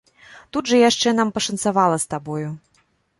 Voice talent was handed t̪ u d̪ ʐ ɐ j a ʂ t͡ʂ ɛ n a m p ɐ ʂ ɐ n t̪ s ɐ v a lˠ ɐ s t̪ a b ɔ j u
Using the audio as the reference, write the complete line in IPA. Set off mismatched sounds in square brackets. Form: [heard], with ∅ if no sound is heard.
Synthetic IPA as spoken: t̪ u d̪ ʐ ɐ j a ʂ t͡ʂ ɛ n a m p ɐ ʂ ɐ n t̪ s [a] v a lˠ ɐ s t̪ a b ɔ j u